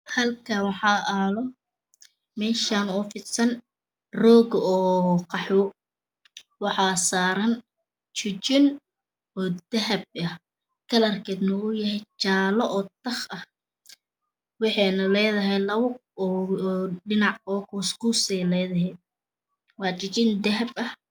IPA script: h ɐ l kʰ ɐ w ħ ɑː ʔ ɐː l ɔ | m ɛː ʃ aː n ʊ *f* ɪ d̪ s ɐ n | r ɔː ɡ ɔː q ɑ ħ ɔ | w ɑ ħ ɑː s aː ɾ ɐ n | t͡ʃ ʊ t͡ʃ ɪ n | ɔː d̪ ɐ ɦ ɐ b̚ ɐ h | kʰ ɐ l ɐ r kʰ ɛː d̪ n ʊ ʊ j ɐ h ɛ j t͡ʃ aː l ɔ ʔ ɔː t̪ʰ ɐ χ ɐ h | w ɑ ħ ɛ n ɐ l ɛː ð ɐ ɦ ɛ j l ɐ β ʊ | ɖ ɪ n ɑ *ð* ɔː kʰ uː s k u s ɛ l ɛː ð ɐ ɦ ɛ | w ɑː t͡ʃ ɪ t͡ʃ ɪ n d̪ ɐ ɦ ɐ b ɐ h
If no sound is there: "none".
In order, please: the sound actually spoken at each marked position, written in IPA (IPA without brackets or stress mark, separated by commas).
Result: f, ʕ